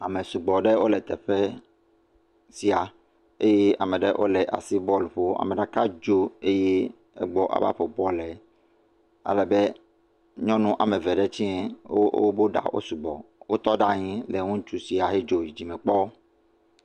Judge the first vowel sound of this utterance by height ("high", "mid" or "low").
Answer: low